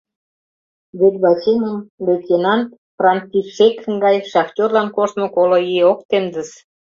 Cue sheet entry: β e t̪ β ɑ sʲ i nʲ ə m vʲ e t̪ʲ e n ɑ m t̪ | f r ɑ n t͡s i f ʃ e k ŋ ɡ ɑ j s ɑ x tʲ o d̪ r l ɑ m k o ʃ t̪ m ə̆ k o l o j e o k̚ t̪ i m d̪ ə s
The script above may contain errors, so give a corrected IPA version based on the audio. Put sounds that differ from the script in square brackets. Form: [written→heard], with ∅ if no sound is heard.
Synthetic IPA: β e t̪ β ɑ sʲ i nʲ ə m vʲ e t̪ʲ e n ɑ [m→n] t̪ | f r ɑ n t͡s i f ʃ e k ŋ ɡ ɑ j [s→ʃ] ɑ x tʲ o [d̪→∅] r l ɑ [m→n] k o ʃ t̪ m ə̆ k o l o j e o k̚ t̪ [i→e] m d̪ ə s